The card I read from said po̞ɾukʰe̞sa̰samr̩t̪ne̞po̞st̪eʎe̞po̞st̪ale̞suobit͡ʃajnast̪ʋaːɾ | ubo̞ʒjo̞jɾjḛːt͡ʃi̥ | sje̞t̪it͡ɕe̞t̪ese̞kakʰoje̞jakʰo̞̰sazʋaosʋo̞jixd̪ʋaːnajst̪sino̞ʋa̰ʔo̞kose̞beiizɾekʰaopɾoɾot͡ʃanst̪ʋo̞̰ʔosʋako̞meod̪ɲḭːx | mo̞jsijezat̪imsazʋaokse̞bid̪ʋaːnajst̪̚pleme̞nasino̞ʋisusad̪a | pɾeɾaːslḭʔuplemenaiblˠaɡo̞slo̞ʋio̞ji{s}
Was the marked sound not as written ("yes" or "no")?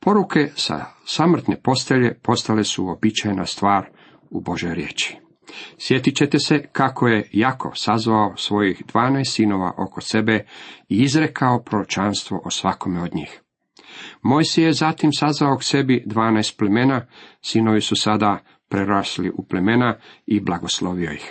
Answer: yes